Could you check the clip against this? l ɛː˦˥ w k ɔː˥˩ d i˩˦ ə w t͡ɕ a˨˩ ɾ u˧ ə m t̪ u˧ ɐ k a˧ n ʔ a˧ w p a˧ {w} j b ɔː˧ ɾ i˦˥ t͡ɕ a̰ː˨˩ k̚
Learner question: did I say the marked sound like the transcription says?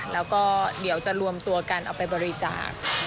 no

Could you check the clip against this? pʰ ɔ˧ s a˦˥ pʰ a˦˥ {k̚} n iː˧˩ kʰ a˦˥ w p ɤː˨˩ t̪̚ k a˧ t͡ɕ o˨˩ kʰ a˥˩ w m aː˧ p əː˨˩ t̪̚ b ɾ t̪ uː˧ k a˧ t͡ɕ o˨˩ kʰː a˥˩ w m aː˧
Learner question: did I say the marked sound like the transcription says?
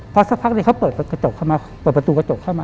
yes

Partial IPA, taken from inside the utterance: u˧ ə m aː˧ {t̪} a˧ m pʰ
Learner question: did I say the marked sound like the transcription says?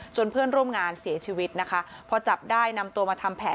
no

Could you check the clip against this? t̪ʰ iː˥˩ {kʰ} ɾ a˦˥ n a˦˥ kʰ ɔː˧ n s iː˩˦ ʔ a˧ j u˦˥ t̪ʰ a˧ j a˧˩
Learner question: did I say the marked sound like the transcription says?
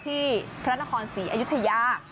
no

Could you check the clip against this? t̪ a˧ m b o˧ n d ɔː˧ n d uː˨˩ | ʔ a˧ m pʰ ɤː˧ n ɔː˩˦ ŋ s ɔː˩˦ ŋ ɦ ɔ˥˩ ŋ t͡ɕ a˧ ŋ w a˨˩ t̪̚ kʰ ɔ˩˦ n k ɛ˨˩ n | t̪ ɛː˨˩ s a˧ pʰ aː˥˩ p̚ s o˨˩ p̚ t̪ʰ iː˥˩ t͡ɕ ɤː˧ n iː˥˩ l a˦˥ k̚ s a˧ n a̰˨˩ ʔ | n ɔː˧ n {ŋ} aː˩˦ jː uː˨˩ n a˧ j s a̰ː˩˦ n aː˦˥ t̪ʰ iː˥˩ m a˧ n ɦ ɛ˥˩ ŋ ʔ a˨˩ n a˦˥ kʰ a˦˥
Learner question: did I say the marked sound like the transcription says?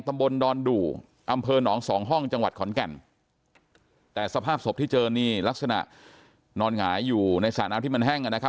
yes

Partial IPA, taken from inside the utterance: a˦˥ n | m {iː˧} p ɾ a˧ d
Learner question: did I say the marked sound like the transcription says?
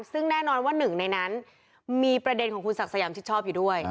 yes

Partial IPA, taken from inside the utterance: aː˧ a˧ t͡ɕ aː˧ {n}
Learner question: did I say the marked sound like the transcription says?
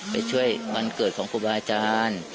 yes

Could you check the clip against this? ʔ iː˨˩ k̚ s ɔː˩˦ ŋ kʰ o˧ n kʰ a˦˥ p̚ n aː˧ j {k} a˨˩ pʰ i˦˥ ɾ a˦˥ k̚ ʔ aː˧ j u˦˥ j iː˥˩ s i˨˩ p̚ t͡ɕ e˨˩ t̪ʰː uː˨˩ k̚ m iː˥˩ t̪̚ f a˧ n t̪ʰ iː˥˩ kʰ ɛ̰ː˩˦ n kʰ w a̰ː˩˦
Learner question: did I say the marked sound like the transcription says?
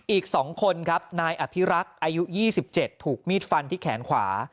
no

